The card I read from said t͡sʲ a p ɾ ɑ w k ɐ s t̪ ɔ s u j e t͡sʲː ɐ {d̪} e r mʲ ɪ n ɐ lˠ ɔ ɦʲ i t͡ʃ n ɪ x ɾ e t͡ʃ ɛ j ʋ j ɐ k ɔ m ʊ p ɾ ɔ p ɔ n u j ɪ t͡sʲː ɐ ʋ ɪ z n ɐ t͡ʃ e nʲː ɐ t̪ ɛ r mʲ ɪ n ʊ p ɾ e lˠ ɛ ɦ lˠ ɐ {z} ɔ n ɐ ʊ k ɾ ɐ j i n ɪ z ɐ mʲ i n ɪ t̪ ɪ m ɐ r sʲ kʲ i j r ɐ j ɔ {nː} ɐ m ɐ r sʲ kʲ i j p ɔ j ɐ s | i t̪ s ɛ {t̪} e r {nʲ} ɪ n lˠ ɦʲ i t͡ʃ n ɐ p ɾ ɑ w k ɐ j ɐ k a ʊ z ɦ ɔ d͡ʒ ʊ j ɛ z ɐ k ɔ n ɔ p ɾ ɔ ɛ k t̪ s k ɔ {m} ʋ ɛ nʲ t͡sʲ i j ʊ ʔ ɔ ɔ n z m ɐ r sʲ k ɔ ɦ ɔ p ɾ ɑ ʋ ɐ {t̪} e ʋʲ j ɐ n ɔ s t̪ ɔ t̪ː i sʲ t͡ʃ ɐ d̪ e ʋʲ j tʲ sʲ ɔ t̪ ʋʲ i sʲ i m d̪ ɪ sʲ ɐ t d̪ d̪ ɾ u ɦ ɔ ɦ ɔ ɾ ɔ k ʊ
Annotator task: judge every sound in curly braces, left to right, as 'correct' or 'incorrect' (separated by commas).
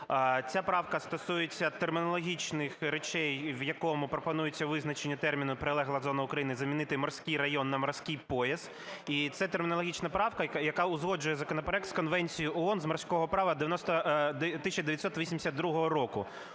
incorrect, correct, correct, correct, incorrect, incorrect, incorrect